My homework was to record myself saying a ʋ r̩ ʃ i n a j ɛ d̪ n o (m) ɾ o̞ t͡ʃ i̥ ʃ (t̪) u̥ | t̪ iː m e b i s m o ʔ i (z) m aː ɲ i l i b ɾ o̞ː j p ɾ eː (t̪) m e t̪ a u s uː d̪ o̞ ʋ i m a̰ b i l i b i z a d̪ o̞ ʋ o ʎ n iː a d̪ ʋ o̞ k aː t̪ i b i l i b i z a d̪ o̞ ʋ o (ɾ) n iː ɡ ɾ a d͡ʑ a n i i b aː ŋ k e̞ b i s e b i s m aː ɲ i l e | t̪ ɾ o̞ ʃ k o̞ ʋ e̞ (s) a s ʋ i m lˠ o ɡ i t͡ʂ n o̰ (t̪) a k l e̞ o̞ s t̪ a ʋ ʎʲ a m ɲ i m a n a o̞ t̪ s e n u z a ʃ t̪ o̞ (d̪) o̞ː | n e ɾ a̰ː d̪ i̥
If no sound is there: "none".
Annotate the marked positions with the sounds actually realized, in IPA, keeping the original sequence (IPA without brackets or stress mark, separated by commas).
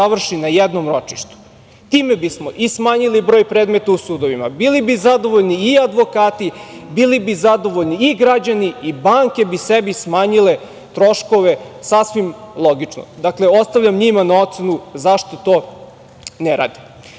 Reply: m, t̪, s, d̪, ʎ, s, d̪, t̪